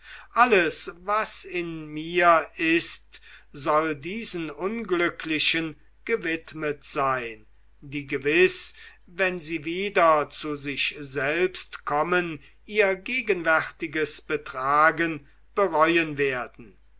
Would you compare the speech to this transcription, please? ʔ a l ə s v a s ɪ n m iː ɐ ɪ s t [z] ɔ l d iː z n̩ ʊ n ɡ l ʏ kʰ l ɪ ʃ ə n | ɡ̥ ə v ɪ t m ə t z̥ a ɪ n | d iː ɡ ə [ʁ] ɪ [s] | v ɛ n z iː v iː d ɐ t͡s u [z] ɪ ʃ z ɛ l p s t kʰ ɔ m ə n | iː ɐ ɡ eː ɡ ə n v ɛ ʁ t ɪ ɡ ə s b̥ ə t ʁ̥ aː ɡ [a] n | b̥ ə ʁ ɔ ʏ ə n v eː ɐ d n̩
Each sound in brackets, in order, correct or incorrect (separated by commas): correct, incorrect, correct, correct, incorrect